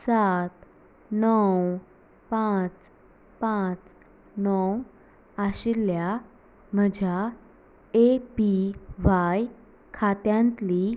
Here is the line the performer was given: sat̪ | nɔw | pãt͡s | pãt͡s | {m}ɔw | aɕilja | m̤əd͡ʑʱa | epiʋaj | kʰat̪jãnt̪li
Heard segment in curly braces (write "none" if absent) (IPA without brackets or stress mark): n